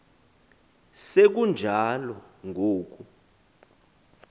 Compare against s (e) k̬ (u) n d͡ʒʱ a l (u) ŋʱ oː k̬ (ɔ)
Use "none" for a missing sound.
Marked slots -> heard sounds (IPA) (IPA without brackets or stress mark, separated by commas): e, u, ɔ, u